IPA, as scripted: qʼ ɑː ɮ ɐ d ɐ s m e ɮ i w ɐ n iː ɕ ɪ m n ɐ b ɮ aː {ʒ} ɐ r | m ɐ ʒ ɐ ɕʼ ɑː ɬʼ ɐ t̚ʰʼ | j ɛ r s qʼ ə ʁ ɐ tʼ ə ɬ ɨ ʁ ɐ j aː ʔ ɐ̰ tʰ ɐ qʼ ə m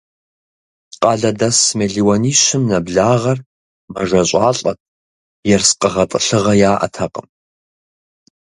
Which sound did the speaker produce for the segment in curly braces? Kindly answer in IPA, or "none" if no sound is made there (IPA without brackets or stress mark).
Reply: ʁ